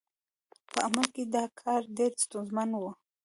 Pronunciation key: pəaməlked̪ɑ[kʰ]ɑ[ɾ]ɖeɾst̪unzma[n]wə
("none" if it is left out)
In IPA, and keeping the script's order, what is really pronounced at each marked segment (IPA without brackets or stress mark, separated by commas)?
kʰ, ɾ, n